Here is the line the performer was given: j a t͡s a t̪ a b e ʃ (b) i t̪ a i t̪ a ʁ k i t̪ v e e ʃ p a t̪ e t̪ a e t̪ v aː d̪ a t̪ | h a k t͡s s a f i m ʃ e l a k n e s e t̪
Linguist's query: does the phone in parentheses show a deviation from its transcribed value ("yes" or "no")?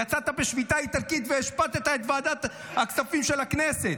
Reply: yes